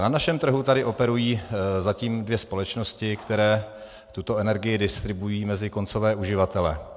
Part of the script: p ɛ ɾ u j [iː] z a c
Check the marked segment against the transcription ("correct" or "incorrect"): correct